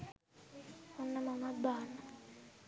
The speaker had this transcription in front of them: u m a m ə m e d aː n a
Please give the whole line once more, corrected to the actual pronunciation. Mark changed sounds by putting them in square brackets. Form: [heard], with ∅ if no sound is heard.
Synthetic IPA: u [n] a m [a] m [a] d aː n a